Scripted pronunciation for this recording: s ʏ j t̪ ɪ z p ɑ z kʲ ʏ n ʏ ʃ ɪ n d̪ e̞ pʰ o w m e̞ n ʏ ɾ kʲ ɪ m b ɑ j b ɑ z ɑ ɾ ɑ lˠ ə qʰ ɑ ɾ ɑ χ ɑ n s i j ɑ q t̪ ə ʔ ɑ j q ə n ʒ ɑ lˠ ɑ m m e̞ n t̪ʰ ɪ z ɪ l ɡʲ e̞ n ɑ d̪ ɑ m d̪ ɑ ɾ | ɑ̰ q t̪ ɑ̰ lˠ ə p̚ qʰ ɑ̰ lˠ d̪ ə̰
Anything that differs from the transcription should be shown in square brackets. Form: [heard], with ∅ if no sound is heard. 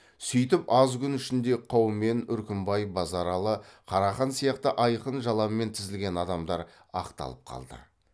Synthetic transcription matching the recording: s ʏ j t̪ ɪ [∅] p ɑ z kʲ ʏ n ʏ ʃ ɪ n d̪ e̞ [qʰ] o w m e̞ n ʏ ɾ kʲ ɪ m b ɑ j b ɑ z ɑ ɾ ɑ lˠ ə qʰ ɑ ɾ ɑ χ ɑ n s i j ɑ q t̪ ə ʔ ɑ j q ə n ʒ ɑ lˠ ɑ m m e̞ n t̪ʰ ɪ z ɪ l ɡʲ e̞ n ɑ d̪ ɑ m d̪ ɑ ɾ | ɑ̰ q t̪ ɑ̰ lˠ ə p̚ qʰ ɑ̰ lˠ d̪ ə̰